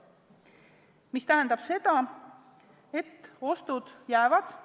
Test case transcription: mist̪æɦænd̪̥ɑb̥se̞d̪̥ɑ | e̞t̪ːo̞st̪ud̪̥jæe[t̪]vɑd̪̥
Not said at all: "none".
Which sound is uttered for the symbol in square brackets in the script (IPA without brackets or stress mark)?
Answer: none